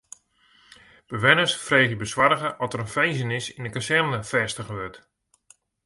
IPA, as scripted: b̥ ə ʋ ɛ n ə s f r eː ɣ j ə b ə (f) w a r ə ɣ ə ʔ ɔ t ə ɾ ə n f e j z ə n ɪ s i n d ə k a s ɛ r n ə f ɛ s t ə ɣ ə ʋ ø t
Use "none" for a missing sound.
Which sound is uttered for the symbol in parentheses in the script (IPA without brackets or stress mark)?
s